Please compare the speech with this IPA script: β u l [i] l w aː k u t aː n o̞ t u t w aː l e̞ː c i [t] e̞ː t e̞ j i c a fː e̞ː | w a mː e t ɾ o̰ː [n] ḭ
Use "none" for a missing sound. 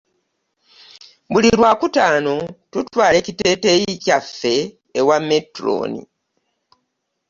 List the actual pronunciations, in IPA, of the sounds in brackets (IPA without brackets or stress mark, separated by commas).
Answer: i, t, n